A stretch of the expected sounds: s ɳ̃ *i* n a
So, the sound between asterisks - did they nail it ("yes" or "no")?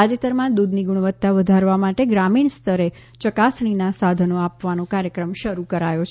yes